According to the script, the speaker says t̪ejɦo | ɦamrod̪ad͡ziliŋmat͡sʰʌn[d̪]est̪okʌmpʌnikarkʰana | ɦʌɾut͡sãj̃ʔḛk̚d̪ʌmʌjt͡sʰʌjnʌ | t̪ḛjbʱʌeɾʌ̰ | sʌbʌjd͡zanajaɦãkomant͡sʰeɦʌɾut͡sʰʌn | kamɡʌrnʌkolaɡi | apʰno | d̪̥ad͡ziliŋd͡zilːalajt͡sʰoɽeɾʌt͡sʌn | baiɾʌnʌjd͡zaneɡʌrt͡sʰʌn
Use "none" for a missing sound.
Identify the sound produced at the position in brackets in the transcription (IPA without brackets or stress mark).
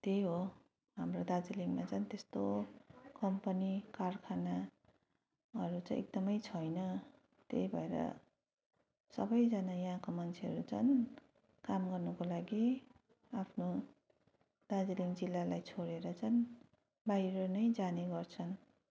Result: t̪